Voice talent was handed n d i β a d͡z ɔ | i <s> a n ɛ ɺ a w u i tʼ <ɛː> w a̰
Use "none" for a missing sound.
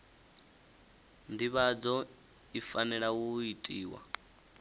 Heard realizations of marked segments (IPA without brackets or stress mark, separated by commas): f, iː